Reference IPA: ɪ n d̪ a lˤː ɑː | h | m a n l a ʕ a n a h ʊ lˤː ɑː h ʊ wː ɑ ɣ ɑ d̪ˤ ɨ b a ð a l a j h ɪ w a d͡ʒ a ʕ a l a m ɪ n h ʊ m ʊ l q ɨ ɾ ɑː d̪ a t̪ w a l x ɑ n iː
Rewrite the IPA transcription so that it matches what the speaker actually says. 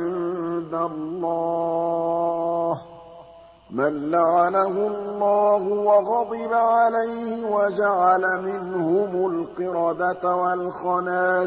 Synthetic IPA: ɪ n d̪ a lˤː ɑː | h | m a n l a ʕ a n a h ʊ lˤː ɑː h ʊ w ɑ ɣ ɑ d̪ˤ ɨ b a ʕ a l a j h ɪ w a d͡ʒ a ʕ a l a m ɪ n h ʊ m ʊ l q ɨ ɾ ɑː d̪ a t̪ w a l x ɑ n aː

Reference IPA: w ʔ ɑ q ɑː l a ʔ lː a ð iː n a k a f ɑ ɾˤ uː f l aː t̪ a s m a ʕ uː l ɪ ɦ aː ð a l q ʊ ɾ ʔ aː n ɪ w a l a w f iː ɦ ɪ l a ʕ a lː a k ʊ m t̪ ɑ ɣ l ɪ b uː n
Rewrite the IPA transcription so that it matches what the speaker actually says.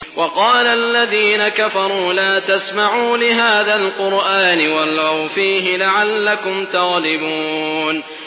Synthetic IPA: w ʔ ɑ q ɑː l a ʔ lː a ð iː n a k a f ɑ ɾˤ uː l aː t̪ a s m a ʕ uː l ɪ ɦ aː ð a l q ʊ ɾ ʔ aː n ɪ w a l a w f iː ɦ ɪ l a ʕ a lː a k ʊ m t̪ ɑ ɣ l ɪ b uː n

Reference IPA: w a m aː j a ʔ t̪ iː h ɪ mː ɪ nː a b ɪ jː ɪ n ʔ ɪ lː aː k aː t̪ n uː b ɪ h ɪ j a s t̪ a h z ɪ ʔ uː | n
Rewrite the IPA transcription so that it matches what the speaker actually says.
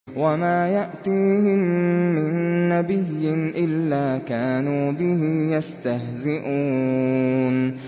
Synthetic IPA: w a m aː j a ʔ t̪ iː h ɪ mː ɪ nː a b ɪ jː ɪ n ʔ ɪ lː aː k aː n uː b ɪ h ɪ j a s t̪ a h z ɪ ʔ uː | n

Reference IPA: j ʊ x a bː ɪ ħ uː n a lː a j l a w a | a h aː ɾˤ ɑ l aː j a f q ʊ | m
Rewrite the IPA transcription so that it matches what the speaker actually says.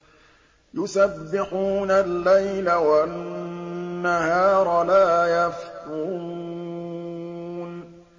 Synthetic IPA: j ʊ s a bː ɪ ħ uː n a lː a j l a w a | a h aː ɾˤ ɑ l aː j a f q u | n

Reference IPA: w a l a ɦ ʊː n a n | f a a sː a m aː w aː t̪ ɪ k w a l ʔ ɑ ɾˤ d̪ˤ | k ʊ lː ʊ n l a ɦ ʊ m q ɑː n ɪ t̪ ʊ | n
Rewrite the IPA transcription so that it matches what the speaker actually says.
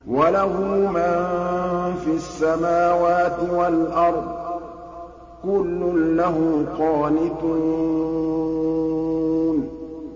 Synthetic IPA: w a l a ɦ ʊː m a n | f i a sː a m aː w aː t̪ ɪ w a l ʔ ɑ ɾˤ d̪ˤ | k ʊ lː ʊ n l a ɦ ʊ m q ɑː n ɪ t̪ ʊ | n

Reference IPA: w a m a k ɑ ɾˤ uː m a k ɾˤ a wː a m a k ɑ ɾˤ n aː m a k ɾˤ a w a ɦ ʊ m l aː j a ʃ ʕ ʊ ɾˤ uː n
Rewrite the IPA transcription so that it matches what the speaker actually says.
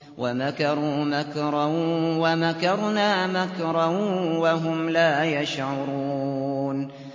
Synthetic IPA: w a m a k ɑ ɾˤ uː m a k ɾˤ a w a m a k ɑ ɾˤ n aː m a k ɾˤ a w a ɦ ʊ m l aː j a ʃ ʕ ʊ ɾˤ uː n

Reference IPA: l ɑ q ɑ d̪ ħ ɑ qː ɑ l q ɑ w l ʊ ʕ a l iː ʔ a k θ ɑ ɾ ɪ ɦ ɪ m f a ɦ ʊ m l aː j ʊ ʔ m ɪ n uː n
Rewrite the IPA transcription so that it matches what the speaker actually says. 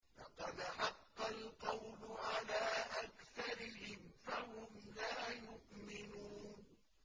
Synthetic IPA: l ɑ q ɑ d̪ ħ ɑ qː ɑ l q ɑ w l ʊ ʕ a l aː ʔ a k θ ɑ ɾ ɪ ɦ ɪ m f a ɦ ʊ m l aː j ʊ ʔ m ɪ n uː n

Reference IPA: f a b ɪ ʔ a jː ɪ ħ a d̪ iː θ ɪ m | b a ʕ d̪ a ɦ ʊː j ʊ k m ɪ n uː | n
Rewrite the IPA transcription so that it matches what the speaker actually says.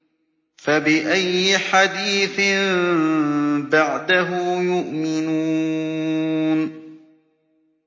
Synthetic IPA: f a b ɪ ʔ a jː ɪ ħ a d̪ iː θ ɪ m | b a ʕ d̪ a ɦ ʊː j ʊ ʔ m ɪ n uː | n

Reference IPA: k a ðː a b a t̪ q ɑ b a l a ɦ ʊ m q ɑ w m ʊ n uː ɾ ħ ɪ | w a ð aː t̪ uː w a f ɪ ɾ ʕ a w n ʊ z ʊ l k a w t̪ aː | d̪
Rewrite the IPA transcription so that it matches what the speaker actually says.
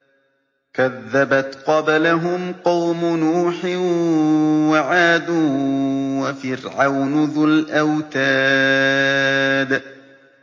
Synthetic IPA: k a ðː a b a t̪ q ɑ b a l a ɦ ʊ m q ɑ w m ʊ n uː ħ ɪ | w a ʕ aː d̪ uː w a f ɪ ɾ ʕ a w n ʊ ð ʊ l ʔ a w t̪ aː | d̪

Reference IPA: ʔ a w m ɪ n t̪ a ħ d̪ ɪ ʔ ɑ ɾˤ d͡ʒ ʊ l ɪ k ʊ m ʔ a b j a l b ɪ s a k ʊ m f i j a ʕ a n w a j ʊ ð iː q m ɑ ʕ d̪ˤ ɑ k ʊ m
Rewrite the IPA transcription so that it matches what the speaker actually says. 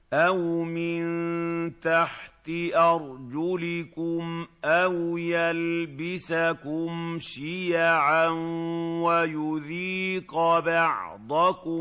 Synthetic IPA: ʔ a w m ɪ n t̪ a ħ t̪ ɪ ʔ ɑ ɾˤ d͡ʒ ʊ l ɪ k ʊ m ʔ a w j a l b ɪ s a k ʊ m ʃ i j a ʕ a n w a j ʊ ð iː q b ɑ ʕ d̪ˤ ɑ k ʊ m

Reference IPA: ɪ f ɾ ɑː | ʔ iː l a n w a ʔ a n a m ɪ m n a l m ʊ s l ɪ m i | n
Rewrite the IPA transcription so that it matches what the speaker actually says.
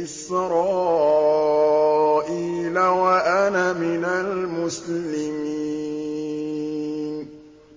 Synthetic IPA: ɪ s ɾ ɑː | ʔ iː l a w a ʔ a n a m ɪ n a l m ʊ s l ɪ m i | n

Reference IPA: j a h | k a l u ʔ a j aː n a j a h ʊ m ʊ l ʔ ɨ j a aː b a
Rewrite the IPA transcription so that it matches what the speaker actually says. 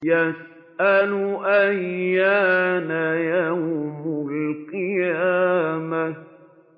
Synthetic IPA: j a s | ʔ a l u ʔ a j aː n a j a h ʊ m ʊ l q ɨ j a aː m a

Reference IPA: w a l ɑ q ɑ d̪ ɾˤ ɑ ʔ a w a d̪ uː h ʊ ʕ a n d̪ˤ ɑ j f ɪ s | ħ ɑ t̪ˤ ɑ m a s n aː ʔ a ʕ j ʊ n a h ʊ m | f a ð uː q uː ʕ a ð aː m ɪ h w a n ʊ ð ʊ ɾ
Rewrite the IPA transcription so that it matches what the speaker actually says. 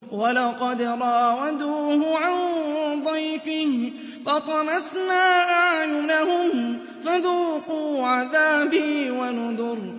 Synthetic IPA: w a l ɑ q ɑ d̪ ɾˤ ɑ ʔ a w a d̪ uː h ʊ ʕ a n d̪ˤ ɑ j f ɪ h | f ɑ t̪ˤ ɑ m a s n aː ʔ a ʕ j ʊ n a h ʊ m | f a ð uː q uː ʕ a ð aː b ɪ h w a n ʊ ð ʊ ɾ

